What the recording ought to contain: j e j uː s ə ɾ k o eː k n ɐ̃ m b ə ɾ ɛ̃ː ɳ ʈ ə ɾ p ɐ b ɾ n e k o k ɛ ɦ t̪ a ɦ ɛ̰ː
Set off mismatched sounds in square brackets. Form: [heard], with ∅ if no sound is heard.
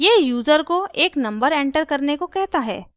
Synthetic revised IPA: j e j uː [z] ə ɾ k o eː k n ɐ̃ m b ə ɾ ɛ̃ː ɳ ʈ ə ɾ [k] ɐ [∅] ɾ n e k o k ɛ ɦ t̪ a ɦ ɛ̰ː